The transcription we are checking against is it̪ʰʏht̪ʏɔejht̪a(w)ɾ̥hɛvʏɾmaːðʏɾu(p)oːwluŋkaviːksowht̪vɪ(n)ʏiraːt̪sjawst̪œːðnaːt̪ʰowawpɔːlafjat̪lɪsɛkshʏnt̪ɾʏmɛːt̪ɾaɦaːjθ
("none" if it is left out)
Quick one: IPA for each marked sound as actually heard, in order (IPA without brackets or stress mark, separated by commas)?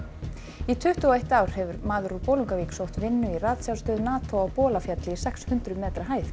w, p, nː